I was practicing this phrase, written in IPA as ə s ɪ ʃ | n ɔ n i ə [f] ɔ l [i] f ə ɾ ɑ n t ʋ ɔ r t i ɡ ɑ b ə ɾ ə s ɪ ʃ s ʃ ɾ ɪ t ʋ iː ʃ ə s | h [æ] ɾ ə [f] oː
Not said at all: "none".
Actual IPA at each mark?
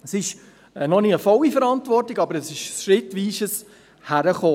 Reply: f, i, æ, χ

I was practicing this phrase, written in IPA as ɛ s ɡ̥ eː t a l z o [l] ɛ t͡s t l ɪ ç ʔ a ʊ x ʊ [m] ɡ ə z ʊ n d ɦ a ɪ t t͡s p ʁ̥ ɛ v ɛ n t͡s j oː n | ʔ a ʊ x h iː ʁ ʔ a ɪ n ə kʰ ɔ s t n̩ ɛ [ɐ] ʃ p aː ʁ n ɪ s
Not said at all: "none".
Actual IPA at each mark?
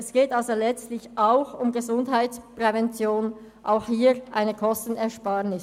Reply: l, m, ɐ

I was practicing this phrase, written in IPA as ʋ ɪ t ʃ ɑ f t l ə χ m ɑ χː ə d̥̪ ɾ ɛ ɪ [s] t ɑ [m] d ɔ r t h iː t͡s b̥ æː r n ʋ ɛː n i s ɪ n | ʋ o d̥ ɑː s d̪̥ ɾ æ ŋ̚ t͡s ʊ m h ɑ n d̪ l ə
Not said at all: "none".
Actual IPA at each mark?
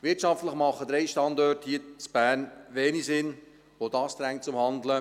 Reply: ʃ, n

